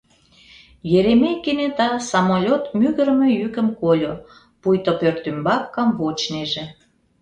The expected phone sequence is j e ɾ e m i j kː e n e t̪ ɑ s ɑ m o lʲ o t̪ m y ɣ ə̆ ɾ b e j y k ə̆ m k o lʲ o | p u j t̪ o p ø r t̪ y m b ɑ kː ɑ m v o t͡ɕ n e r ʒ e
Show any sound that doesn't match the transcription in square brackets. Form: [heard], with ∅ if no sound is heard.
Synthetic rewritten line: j e ɾ e m [e] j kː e n e t̪ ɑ s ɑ m o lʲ o t̪ m y ɣ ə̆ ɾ [m] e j y k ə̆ m k o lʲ o | p u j t̪ o p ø r t̪ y m b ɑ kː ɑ m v o t͡ɕ n e [∅] ʒ e

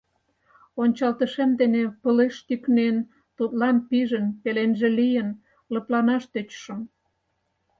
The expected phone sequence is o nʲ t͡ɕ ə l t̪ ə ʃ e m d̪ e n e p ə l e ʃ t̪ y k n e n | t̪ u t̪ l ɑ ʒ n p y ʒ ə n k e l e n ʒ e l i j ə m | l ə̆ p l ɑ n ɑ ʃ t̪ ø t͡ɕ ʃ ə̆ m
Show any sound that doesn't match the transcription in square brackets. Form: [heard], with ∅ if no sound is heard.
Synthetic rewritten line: o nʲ t͡ɕ [ɑ] l t̪ ə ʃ e m d̪ e n e p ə l e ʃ t̪ y k n e n | t̪ u t̪ l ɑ [∅] n p [i] ʒ ə n [p] e l e n ʒ e l i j ə [n] | l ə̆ p l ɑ n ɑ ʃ t̪ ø t͡ɕ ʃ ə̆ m

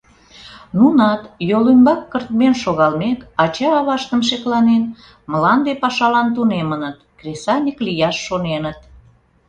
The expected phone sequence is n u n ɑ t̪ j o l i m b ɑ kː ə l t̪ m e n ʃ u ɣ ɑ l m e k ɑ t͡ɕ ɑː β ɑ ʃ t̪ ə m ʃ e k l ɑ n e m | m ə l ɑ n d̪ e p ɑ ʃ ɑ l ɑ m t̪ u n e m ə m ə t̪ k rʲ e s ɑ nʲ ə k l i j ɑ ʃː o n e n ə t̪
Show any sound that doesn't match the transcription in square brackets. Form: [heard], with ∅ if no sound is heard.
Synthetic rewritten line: n u n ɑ t̪ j o l [y] m b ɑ kː ə [r] t̪ m e n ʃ [o] ɣ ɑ l m e k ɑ t͡ɕ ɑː β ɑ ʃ t̪ ə m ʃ e k l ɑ n e [n] | m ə l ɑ n d̪ e p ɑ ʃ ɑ l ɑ [n] t̪ u n e m ə [n] ə t̪ k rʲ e s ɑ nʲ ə k l i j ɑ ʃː o n e n ə t̪

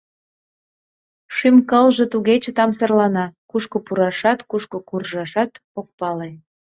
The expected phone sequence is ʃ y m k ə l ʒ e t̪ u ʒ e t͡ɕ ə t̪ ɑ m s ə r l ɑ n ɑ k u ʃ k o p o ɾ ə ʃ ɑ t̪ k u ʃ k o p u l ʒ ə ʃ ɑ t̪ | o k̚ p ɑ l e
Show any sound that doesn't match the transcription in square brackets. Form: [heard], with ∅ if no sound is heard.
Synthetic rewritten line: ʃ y m k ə l ʒ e t̪ u [ɣ] e t͡ɕ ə t̪ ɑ m s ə r l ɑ n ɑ k u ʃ k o p [u] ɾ [ɑ] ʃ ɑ t̪ k u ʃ k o [k] u [r] ʒ [ɑ] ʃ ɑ t̪ | o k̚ p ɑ l e

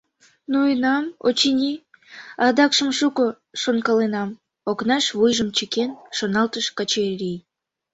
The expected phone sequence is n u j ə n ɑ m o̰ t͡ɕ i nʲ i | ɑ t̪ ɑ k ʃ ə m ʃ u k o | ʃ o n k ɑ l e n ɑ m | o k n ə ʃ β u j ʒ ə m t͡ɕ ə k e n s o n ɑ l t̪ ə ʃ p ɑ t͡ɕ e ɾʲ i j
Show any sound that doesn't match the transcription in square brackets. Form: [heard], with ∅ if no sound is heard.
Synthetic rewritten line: n u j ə n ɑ m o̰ t͡ɕ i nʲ i | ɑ [d̪] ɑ k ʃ ə m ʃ u k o | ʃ o n k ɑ l e n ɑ m | o k n [ɑ] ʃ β u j ʒ ə m t͡ɕ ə k e n [ʃ] o n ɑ l t̪ ə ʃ [k] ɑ t͡ɕ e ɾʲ i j

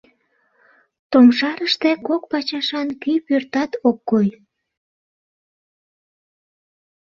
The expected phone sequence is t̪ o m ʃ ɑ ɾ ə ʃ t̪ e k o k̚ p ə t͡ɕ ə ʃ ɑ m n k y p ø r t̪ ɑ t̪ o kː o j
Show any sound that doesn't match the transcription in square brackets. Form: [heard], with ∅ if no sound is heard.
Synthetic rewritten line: t̪ o m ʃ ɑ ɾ ə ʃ t̪ e k o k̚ p [ɑ] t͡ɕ [ɑ] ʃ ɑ [∅] n k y p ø r t̪ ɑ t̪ o kː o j

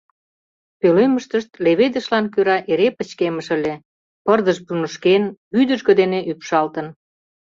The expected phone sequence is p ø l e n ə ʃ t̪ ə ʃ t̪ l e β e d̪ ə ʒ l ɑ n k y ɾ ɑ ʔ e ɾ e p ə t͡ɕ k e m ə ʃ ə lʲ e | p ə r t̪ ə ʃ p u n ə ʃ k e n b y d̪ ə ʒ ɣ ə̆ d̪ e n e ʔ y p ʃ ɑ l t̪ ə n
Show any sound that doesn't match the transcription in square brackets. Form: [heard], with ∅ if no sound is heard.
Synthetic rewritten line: p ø l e [m] ə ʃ t̪ ə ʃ t̪ l e β e d̪ ə [ʃ] l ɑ n k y ɾ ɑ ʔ e ɾ e p ə t͡ɕ k e m ə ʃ ə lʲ e | p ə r [d̪] ə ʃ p u n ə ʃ k e n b y d̪ ə ʒ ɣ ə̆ d̪ e n e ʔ y p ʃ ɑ l t̪ ə n

